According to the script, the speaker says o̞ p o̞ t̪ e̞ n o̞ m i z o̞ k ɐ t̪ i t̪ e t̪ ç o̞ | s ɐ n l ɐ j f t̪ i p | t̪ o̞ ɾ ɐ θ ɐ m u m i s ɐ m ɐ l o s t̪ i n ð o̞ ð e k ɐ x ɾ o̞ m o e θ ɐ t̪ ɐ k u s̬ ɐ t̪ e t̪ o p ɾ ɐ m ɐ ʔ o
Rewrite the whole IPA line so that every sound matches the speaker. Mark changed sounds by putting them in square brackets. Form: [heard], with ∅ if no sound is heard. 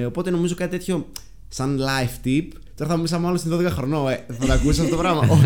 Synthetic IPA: o̞ p o̞ t̪ e̞ n o̞ m i z o̞ k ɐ t̪ i t̪ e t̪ ç o̞ | s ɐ n l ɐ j f t̪ i p | t̪ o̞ ɾ ɐ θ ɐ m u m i s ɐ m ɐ l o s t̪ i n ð o̞ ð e k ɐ x ɾ o̞ [n] o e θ ɐ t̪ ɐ k u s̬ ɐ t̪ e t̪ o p ɾ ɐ m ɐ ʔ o